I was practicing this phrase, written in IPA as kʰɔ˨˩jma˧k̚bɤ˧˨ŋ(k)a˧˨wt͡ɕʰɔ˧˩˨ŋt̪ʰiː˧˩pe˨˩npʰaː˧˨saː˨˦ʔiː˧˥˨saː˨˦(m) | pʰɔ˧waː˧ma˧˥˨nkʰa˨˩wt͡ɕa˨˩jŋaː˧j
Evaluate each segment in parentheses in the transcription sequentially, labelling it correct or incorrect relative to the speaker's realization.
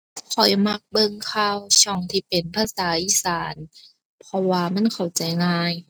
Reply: incorrect: kʰ, incorrect: n

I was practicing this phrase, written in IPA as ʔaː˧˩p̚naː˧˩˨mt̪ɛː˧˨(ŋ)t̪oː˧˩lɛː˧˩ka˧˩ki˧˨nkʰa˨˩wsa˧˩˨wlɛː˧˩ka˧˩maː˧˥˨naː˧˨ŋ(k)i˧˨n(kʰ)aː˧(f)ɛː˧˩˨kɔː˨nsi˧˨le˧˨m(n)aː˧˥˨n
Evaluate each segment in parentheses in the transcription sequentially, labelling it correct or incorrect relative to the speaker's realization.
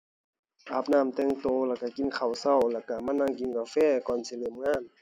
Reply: correct, correct, incorrect: k, correct, incorrect: ŋ

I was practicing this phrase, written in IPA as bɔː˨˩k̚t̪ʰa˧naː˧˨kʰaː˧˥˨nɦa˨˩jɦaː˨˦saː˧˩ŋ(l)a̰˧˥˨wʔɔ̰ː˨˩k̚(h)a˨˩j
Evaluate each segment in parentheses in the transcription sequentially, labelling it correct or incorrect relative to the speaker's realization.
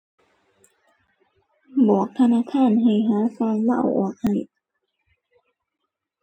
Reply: correct, correct

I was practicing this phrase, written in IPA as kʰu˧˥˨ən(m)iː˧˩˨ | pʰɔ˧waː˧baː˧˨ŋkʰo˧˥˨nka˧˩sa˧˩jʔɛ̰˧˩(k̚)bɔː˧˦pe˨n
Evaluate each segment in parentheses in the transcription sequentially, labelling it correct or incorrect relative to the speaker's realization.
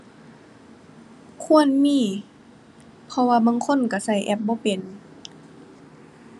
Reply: correct, incorrect: p̚

